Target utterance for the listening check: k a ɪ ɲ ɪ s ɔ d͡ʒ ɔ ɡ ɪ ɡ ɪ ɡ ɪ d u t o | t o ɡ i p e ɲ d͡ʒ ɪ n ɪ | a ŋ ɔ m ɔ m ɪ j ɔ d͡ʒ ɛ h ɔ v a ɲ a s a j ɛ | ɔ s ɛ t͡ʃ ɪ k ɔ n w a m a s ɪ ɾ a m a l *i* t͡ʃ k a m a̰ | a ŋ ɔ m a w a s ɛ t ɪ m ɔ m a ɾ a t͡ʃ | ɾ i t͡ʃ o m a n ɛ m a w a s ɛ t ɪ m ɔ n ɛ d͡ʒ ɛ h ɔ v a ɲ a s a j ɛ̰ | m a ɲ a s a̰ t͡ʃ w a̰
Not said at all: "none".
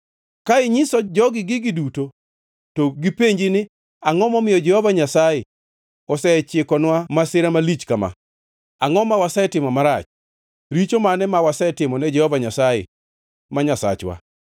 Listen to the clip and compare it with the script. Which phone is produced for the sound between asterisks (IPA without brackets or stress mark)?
i